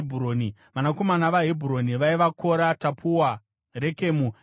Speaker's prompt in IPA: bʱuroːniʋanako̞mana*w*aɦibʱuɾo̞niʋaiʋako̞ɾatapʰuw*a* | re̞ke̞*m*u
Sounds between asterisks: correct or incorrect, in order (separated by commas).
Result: incorrect, correct, correct